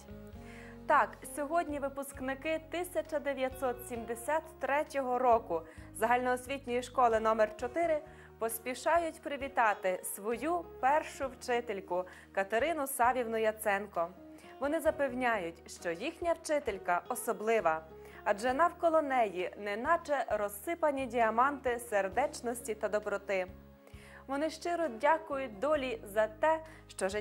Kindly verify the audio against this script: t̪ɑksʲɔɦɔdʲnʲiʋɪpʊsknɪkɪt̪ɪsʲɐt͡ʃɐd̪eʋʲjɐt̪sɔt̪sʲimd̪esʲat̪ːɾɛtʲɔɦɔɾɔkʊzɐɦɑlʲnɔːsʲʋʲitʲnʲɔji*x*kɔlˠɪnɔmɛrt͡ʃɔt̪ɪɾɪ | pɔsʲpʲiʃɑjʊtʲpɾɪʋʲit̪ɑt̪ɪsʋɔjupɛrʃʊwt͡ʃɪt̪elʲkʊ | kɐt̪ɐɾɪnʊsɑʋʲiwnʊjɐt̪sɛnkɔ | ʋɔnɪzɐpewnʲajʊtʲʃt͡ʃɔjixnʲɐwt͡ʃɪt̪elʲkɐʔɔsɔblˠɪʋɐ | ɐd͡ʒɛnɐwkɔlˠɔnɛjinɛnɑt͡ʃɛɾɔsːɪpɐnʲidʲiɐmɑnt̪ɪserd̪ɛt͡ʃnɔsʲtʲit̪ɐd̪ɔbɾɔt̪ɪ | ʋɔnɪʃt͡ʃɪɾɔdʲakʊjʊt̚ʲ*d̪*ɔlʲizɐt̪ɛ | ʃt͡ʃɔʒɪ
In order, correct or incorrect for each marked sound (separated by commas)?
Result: incorrect, correct